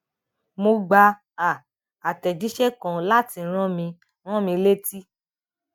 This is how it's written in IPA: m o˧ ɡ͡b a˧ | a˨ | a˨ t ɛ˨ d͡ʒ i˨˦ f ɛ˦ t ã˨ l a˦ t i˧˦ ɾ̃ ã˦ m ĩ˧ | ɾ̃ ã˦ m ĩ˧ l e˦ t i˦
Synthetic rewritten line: m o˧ ɡ͡b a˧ | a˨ | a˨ t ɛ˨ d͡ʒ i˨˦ ʃ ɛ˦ k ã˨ l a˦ t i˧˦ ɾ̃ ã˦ m ĩ˧ | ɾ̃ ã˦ m ĩ˧ l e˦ t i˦